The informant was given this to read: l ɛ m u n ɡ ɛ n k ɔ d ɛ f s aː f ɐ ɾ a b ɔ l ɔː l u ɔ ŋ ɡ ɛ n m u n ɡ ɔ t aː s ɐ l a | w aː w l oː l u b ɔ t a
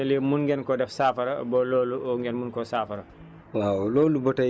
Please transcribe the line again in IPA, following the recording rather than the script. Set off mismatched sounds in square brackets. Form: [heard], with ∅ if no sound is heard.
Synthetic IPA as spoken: l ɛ m u n ɡ ɛ n k ɔ d ɛ f s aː f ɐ ɾ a b ɔ l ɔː l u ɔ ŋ ɡ ɛ n m u n [k] ɔ [s] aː [f] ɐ [ɾ] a | w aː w l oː l u b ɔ t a